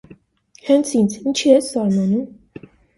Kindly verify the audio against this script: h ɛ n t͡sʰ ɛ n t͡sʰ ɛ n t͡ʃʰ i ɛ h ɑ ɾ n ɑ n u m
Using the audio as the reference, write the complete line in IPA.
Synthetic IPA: h ɛ n t͡sʰ i n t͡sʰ i n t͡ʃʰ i ɛ s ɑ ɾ m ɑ n u m